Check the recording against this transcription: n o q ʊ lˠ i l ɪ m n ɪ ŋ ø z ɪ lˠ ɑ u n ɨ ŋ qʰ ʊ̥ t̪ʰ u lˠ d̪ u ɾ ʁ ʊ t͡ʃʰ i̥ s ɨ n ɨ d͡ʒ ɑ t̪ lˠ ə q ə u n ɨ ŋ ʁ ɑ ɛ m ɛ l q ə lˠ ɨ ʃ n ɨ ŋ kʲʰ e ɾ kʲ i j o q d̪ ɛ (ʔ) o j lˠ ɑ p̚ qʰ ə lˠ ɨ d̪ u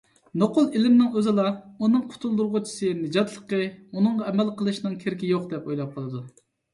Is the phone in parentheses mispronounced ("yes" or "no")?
yes